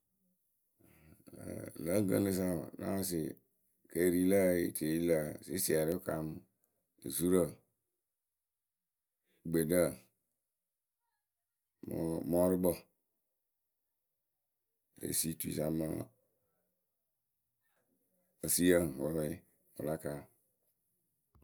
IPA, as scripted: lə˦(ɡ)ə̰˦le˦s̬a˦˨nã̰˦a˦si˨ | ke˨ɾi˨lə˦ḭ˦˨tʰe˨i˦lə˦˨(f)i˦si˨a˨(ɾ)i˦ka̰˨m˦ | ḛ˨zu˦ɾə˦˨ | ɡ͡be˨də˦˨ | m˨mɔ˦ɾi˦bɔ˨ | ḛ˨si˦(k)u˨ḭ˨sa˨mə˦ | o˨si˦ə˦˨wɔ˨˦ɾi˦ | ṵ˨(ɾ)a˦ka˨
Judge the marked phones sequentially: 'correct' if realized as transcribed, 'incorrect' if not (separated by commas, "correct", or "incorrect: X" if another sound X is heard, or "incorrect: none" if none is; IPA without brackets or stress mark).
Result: correct, incorrect: s, correct, incorrect: t, incorrect: l